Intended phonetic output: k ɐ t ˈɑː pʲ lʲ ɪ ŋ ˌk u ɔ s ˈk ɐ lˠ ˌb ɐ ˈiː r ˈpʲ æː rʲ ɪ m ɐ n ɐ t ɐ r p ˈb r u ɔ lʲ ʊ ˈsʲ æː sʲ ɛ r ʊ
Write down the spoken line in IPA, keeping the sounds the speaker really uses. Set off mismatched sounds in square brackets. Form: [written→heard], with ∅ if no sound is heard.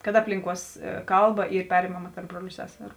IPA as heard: k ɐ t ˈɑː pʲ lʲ ɪ ŋ ˌk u ɔ s ˈk ɐ lˠ ˌb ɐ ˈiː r ˈpʲ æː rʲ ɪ m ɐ [n→m] ɐ t ɐ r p ˈb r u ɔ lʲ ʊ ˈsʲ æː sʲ ɛ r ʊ